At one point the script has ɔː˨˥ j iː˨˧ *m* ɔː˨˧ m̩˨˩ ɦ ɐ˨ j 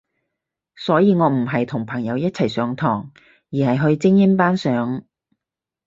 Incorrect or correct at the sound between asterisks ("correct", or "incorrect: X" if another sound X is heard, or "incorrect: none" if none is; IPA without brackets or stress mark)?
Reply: incorrect: ŋ